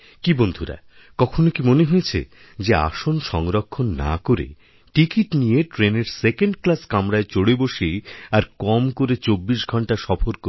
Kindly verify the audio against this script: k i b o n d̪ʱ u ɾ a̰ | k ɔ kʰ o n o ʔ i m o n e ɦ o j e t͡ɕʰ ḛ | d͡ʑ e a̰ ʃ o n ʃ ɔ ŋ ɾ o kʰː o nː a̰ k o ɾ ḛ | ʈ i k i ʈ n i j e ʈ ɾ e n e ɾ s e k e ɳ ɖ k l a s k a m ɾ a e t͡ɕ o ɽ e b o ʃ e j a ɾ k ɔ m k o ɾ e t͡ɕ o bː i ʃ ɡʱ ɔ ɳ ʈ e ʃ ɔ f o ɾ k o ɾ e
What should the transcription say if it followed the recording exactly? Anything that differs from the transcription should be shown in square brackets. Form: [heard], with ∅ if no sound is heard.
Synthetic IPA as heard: k i b o n d̪ʱ u ɾ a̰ | k ɔ kʰ o n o [k] i m o n e ɦ o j e t͡ɕʰ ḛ | d͡ʑ e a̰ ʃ o n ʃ ɔ ŋ ɾ o kʰː o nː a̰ k o ɾ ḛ | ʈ i k i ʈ n i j e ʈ ɾ e n e ɾ s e k e ɳ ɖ k l a s k a m ɾ a e t͡ɕ o ɽ e b o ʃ e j a ɾ k ɔ m k o ɾ e t͡ɕ o bː i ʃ ɡʱ ɔ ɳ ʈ [a] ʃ ɔ f o ɾ k o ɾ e

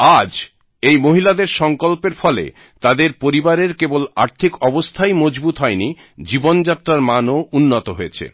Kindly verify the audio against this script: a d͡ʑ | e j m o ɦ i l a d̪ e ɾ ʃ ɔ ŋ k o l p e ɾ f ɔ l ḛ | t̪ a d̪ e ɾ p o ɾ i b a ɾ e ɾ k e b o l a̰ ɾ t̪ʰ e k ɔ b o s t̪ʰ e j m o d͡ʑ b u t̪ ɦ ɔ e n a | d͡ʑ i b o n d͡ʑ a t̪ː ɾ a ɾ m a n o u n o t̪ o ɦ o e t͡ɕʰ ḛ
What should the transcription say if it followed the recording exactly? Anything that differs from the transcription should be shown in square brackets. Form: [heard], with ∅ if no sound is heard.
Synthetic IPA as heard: a d͡ʑ | e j m o ɦ i l a d̪ e ɾ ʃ ɔ ŋ k o l p e ɾ f ɔ l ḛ | t̪ a d̪ e ɾ p o ɾ i b a ɾ e ɾ k e b o l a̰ ɾ t̪ʰ [i] k ɔ b o s t̪ʰ [a] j m o d͡ʑ b u t̪ ɦ ɔ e n [i] | d͡ʑ i b o n d͡ʑ a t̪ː ɾ a ɾ m a n o u [nː] o t̪ o ɦ o e t͡ɕʰ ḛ

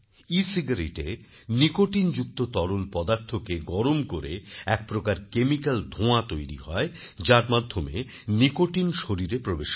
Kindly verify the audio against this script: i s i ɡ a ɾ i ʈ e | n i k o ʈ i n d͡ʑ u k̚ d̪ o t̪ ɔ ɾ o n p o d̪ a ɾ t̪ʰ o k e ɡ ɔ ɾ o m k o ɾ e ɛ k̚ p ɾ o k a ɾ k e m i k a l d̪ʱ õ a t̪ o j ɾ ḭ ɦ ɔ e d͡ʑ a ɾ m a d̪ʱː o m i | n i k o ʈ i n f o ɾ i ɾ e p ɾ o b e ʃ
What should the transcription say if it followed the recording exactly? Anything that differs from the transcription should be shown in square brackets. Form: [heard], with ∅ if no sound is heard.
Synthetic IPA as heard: i s i ɡ a ɾ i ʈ e | n i k o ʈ i n d͡ʑ u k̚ [t̪] o t̪ ɔ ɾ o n p [ɔ] d̪ a ɾ t̪ʰ o k e ɡ ɔ ɾ o m k o ɾ e ɛ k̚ p ɾ o k a ɾ k e m i k a l d̪ʱ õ a t̪ o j ɾ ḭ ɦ ɔ e d͡ʑ a ɾ m a d̪ʱː o m [e] | n i k o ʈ i n [ʃ] o ɾ i ɾ e p ɾ o b e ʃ

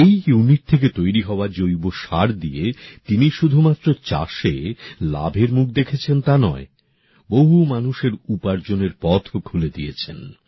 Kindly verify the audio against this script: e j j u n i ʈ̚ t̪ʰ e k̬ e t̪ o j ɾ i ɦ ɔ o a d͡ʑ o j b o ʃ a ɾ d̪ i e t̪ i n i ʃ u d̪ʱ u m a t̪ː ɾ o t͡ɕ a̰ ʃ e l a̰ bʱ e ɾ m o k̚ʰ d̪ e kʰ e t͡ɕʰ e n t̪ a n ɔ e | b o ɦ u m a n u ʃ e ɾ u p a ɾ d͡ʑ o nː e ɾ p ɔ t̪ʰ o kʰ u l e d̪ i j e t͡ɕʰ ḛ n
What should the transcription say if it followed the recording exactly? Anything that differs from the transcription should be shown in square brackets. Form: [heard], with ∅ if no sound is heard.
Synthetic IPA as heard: e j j u n i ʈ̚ t̪ʰ e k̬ e t̪ o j ɾ i ɦ ɔ o a d͡ʑ o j b o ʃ a ɾ d̪ i e t̪ i n i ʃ u d̪ʱ u m a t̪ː ɾ o t͡ɕ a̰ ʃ e l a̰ bʱ e ɾ m [u] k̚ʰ d̪ e kʰ e t͡ɕʰ e n t̪ a n ɔ e | b o ɦ u m a n u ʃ e ɾ u p a ɾ d͡ʑ o [n] e ɾ p ɔ t̪ʰ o kʰ u l e d̪ i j e t͡ɕʰ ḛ n

